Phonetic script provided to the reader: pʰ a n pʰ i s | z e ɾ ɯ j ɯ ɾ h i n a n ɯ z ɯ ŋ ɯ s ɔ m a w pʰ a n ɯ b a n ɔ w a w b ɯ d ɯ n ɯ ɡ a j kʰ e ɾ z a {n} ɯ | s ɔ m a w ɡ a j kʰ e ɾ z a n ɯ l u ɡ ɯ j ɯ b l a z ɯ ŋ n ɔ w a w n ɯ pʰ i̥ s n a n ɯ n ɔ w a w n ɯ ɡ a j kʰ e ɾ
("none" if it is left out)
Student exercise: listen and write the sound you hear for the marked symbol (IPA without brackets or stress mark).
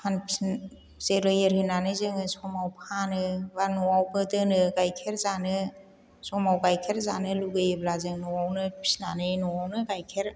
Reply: n